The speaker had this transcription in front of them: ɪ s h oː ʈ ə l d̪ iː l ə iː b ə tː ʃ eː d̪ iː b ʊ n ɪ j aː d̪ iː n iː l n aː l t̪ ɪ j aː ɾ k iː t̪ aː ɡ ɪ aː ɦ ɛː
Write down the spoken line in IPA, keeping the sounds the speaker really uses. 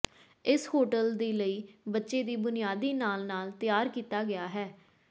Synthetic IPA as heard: ɪ s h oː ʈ ə l d̪ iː l ə iː b ə tː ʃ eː d̪ iː b ʊ n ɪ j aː d̪ iː n aː l n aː l t̪ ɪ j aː ɾ k iː t̪ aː ɡ ɪ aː ɦ ɛː